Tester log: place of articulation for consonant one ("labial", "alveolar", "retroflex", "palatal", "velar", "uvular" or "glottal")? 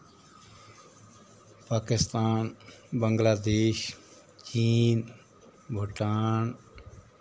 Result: labial